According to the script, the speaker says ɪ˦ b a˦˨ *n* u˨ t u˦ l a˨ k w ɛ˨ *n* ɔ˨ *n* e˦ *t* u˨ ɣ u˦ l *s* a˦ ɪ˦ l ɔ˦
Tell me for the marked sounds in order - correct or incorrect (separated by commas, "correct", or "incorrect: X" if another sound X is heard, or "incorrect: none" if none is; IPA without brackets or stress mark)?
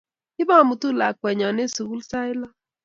incorrect: m, incorrect: ɲ, correct, incorrect: s, correct